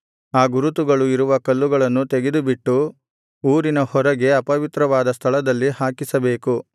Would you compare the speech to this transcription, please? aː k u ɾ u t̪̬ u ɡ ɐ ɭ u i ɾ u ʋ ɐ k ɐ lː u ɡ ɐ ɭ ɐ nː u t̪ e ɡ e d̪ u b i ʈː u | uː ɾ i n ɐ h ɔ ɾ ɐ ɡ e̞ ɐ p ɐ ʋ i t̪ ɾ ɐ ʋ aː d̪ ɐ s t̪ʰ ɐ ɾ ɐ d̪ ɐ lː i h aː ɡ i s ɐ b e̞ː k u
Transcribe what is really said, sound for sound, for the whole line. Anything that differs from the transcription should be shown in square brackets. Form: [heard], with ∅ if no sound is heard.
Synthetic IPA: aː [ɡ] u ɾ u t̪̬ u ɡ ɐ ɭ u i ɾ u ʋ ɐ k ɐ lː u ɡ ɐ ɭ ɐ nː u t̪ e ɡ e d̪ u b i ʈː u | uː ɾ i n ɐ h ɔ ɾ ɐ ɡ e̞ ɐ p ɐ ʋ i t̪ ɾ ɐ ʋ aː d̪ ɐ s t̪ʰ ɐ [ɭ] ɐ d̪ ɐ lː i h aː [k] i s ɐ b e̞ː k u